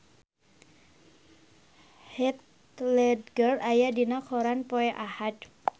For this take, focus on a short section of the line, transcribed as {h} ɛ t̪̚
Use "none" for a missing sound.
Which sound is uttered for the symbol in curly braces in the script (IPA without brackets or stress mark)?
h